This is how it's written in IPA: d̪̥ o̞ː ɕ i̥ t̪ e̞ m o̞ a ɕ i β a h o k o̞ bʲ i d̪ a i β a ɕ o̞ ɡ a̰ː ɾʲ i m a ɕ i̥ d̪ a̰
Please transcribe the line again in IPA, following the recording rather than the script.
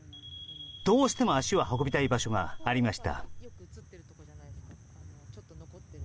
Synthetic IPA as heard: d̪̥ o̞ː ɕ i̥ t̪ e̞ m o̞ a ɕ i β a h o k o̞ bʲ i t̪ a i b a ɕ o̞ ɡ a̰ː ɾʲ i m a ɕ i̥ t̪ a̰